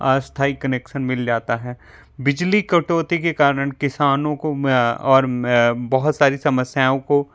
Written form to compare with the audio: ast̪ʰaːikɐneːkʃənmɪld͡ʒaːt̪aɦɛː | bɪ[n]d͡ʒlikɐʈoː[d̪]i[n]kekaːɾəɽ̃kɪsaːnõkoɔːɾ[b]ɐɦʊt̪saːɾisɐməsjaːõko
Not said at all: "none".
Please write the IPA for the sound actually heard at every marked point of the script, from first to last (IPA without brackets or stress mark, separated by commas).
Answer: none, t̪, none, b